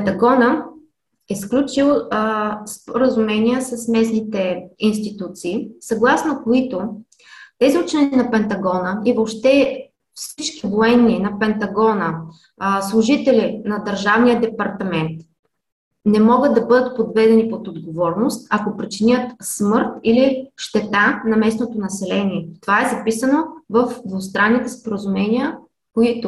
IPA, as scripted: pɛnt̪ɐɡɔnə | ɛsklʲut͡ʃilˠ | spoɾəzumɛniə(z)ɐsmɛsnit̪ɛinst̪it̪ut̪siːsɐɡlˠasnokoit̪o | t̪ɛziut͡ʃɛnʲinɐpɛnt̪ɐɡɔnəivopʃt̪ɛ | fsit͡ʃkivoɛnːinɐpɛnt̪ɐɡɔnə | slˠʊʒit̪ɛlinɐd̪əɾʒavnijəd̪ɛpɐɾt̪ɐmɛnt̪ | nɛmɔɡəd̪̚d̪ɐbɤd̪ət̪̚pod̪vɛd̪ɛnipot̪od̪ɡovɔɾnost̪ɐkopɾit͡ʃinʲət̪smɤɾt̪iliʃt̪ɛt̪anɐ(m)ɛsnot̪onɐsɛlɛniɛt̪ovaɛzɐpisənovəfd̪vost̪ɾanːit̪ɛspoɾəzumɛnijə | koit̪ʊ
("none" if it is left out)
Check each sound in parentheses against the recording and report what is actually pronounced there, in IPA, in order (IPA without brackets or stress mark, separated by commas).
s, m